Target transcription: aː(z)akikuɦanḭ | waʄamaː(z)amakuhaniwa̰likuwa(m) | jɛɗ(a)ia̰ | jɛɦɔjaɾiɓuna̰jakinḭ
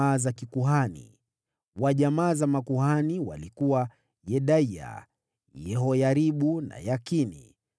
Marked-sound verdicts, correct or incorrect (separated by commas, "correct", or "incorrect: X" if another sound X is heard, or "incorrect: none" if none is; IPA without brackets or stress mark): correct, correct, incorrect: none, correct